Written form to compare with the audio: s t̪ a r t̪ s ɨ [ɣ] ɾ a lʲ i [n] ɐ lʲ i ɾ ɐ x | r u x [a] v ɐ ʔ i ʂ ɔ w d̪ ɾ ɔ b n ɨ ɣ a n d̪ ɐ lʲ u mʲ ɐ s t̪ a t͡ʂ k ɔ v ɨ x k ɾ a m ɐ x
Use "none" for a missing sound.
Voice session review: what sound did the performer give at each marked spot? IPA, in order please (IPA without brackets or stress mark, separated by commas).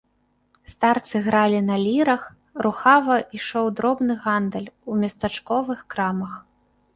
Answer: ɣ, n, a